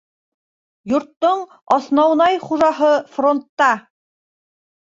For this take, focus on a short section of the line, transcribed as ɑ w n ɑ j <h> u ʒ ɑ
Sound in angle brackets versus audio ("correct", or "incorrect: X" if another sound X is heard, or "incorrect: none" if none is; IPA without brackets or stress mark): incorrect: χ